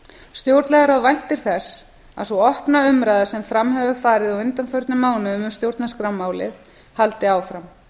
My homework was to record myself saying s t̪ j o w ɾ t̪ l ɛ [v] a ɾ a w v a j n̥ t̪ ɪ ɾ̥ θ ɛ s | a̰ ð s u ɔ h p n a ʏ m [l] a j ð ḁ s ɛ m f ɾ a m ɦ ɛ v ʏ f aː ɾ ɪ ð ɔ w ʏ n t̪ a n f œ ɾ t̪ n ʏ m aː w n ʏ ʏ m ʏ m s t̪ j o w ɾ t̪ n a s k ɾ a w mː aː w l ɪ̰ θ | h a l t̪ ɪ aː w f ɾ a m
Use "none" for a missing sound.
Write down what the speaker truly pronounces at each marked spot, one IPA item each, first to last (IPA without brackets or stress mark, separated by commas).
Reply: ɣ, ɾ